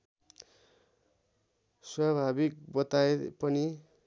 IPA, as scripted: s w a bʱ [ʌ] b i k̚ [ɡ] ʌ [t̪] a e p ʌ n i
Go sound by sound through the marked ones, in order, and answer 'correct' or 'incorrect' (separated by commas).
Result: incorrect, incorrect, correct